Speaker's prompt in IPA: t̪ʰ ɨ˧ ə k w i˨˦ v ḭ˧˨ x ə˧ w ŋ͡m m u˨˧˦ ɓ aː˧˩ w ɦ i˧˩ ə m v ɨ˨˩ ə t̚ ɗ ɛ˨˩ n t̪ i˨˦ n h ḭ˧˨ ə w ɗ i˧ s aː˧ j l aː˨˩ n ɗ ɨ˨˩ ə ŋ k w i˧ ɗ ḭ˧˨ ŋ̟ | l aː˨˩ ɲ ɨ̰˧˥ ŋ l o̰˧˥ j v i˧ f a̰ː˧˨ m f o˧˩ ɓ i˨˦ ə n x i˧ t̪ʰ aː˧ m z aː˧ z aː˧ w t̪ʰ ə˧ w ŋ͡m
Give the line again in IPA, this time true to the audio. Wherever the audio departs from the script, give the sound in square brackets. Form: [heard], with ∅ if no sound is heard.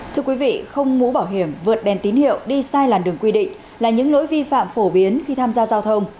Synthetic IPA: t̪ʰ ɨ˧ ə k w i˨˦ v ḭ˧˨ x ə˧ w ŋ͡m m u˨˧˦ ɓ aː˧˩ w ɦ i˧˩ ə m v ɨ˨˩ ə t̚ ɗ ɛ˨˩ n t̪ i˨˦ n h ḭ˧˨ ə w ɗ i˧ s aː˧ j l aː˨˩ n ɗ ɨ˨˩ ə ŋ k w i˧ ɗ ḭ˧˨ ŋ̟ | l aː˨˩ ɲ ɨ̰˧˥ ŋ l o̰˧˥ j v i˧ f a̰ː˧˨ m f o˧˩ ɓ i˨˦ ə n x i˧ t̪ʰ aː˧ m z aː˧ z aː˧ w t̪ʰ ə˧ w ŋ͡m